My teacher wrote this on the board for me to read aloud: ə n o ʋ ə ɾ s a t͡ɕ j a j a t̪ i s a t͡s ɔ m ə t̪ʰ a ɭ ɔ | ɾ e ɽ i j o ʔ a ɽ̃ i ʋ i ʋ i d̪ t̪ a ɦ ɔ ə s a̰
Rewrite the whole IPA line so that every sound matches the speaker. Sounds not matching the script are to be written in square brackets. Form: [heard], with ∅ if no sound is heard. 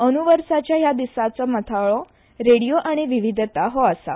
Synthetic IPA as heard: ə n [u] ʋ ə ɾ s a t͡ɕ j a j a [d̪] i s a t͡s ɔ m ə t̪ʰ a ɭ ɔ | ɾ e ɽ i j o ʔ a ɽ̃ i ʋ i ʋ i d̪ t̪ a ɦ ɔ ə s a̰